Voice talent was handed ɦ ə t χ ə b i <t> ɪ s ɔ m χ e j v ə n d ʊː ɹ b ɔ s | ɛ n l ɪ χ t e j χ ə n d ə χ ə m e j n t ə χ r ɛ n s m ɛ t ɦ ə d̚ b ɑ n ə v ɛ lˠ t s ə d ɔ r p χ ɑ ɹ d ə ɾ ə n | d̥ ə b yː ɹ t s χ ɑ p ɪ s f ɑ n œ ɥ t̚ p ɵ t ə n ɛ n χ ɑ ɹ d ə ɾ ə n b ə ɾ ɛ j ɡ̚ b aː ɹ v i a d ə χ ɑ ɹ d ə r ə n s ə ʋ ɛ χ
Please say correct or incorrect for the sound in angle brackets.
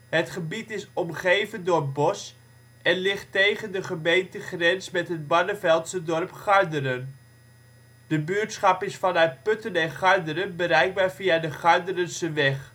correct